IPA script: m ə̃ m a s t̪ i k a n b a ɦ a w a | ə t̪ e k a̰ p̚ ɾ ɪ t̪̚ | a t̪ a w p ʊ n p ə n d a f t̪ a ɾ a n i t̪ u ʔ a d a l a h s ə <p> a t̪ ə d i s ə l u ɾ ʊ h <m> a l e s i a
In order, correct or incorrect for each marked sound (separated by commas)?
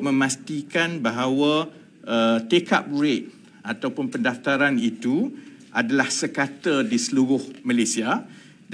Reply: incorrect, correct